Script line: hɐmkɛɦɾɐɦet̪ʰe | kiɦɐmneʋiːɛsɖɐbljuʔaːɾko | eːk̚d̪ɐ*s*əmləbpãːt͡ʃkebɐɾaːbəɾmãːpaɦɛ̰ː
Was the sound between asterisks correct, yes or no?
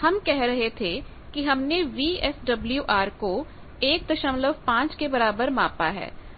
no